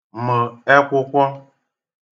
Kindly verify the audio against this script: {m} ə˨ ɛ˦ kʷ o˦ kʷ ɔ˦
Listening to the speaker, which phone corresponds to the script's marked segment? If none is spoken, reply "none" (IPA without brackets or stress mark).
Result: m